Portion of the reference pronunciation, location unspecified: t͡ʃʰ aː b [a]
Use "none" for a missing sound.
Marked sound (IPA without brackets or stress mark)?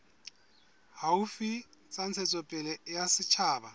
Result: a